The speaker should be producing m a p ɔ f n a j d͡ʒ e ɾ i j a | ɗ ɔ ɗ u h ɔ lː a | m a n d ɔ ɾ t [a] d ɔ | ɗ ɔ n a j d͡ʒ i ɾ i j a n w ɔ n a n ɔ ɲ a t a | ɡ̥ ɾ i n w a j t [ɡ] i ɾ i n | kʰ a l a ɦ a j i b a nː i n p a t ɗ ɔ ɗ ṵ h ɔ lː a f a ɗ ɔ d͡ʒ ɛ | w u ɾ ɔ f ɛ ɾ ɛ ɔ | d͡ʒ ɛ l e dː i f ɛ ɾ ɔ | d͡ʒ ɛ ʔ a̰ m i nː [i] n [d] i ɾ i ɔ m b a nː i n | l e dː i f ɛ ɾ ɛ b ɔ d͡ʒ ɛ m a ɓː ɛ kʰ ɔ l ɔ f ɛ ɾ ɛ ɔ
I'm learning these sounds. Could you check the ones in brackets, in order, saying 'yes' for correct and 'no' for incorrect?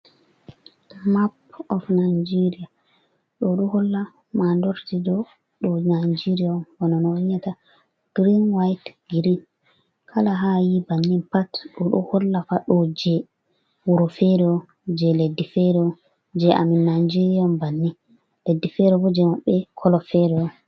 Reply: no, yes, no, no

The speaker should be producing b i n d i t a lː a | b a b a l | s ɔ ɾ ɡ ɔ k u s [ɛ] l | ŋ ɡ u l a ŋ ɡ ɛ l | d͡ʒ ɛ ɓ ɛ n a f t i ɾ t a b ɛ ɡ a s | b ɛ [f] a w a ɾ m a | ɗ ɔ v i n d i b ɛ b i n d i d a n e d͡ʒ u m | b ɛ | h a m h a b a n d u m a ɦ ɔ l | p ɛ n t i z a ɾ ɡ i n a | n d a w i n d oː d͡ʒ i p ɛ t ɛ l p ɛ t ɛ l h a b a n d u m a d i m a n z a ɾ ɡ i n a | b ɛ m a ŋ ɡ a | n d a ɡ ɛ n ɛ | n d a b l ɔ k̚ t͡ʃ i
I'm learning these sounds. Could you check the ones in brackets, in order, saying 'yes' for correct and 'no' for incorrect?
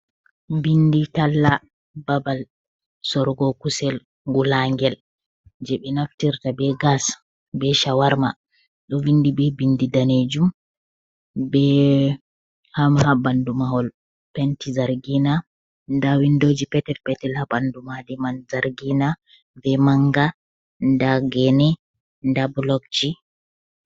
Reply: yes, no

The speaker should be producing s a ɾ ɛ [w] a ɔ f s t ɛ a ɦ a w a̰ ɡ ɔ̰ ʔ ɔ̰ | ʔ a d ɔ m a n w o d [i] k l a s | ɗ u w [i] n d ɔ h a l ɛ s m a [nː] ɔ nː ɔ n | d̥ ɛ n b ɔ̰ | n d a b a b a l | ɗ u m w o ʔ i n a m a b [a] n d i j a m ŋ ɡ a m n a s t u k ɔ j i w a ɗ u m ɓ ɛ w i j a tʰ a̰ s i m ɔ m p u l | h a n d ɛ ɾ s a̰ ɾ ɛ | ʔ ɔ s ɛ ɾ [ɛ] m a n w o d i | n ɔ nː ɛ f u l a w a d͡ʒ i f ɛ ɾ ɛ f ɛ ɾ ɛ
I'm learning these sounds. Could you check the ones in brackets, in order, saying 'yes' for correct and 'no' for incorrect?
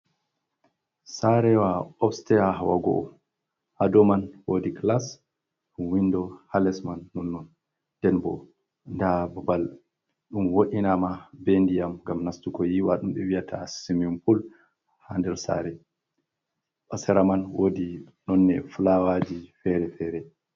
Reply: yes, yes, yes, yes, no, no

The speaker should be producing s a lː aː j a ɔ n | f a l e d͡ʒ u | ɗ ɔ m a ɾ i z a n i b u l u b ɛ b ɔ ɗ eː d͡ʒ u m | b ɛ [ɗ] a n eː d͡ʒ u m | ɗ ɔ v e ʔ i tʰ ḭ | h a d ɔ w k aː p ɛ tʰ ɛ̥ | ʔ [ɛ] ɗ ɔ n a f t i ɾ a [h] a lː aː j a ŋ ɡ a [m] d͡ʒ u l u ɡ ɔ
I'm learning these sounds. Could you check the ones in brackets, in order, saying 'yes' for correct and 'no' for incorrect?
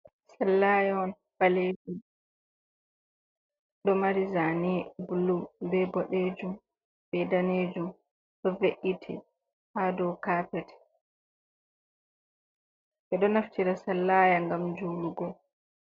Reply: no, yes, no, yes

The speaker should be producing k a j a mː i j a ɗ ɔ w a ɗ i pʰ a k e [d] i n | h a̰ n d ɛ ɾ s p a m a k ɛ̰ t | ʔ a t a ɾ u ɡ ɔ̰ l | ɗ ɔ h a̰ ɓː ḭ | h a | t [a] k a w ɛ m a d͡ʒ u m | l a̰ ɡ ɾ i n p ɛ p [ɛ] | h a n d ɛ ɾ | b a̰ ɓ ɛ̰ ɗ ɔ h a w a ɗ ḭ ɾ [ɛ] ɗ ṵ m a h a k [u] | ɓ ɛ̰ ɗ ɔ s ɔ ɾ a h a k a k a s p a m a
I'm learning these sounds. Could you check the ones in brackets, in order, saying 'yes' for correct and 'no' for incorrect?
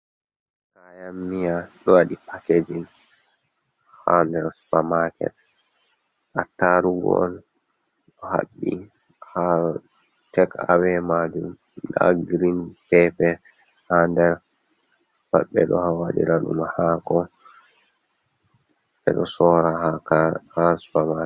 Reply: no, no, yes, no, no

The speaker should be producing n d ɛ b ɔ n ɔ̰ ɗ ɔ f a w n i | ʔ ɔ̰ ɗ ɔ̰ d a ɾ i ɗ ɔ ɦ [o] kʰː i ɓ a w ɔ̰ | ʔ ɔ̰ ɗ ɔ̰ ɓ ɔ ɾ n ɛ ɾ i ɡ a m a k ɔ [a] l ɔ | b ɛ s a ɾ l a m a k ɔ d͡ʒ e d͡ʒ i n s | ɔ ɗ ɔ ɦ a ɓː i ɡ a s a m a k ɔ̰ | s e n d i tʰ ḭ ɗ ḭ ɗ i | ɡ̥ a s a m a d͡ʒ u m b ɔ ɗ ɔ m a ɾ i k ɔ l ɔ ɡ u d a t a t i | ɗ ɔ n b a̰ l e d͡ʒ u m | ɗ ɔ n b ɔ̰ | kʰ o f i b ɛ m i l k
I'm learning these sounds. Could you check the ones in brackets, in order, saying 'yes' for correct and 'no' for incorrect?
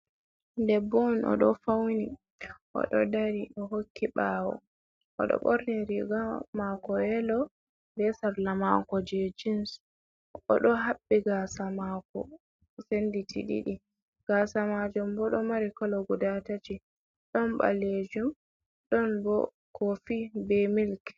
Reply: yes, no

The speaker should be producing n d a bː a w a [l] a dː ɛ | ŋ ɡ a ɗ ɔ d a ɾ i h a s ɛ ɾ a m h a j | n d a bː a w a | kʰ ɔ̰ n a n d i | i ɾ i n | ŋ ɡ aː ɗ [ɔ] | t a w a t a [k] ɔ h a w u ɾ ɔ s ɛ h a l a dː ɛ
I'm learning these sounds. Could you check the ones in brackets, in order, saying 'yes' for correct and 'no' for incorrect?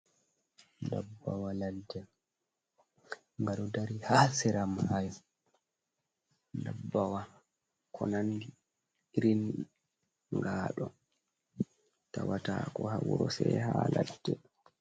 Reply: yes, yes, yes

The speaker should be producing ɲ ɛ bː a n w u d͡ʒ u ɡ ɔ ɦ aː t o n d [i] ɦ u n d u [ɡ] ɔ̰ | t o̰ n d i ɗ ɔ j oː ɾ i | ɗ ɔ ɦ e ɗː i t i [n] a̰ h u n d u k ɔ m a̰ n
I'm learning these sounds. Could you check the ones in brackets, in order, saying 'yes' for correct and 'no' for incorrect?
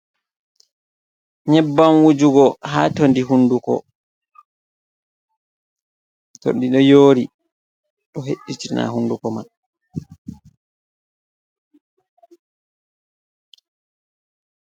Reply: yes, no, yes

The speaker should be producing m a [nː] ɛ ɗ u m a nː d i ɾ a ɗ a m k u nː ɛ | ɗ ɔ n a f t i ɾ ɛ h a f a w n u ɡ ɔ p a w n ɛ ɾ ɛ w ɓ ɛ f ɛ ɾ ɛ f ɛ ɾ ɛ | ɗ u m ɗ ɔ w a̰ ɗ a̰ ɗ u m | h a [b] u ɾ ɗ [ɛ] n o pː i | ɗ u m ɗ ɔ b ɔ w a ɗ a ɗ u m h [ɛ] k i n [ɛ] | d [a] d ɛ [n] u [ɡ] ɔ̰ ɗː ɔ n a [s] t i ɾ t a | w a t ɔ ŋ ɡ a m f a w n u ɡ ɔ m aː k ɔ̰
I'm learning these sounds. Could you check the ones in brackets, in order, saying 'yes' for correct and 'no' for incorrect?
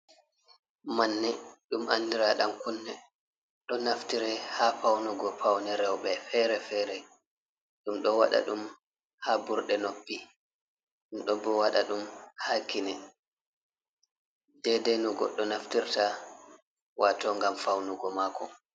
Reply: yes, yes, yes, no, yes, no, yes, yes, no

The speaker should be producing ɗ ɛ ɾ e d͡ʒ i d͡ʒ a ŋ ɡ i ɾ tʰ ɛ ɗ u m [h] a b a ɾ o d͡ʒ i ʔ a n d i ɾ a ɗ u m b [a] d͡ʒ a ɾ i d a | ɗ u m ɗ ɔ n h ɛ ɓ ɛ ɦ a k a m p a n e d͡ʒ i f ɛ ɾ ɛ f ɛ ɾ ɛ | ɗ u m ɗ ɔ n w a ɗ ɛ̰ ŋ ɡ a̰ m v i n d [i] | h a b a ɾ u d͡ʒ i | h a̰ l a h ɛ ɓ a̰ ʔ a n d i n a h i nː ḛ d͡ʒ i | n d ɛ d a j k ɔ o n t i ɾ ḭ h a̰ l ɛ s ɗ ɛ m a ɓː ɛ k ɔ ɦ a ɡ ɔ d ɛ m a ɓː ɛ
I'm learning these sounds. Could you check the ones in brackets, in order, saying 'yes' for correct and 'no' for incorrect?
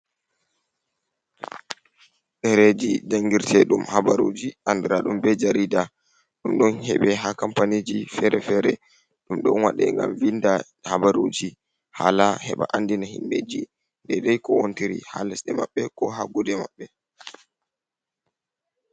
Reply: yes, no, no

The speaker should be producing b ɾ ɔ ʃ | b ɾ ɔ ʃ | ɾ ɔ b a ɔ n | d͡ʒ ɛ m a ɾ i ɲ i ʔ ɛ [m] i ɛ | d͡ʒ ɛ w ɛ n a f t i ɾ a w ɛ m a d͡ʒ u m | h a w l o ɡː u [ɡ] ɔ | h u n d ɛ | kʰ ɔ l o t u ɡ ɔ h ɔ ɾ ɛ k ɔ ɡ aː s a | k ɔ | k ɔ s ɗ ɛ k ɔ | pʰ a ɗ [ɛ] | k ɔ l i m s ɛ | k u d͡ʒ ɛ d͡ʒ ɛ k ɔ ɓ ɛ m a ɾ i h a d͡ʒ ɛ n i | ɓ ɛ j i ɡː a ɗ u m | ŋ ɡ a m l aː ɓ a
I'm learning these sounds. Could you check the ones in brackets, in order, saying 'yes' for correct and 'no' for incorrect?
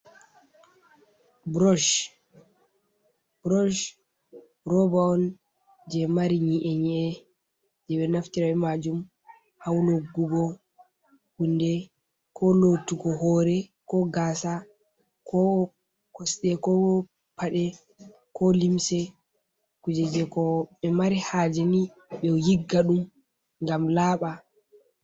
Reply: no, yes, yes

